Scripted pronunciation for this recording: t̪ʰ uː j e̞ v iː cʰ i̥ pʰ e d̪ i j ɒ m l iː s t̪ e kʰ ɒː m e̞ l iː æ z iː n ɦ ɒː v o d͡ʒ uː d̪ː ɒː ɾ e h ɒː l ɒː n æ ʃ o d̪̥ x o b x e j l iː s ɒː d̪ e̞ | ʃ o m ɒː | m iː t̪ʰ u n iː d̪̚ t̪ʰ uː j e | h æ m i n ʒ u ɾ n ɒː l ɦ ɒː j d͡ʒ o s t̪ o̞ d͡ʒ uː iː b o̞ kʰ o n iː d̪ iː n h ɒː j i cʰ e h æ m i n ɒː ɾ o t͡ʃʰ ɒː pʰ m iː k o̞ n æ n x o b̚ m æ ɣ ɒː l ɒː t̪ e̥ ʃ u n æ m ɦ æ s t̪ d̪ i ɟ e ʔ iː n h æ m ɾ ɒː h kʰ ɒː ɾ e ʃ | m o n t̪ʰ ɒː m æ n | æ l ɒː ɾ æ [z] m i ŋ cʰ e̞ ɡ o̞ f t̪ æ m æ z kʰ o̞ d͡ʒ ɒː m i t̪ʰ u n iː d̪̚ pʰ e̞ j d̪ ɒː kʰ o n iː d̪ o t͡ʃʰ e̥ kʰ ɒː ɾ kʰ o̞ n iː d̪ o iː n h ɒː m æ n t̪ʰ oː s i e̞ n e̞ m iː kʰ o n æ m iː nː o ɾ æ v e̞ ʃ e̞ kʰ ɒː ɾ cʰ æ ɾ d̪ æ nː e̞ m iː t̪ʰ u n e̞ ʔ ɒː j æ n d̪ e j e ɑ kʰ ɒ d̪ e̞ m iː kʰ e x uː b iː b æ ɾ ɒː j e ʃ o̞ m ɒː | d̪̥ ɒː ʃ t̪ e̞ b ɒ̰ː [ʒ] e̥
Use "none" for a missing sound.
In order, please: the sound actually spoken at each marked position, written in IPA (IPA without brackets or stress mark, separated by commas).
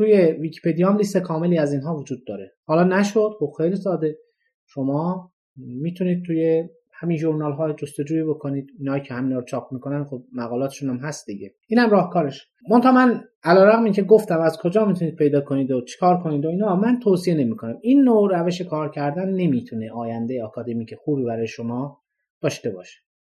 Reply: ɣ, ʃ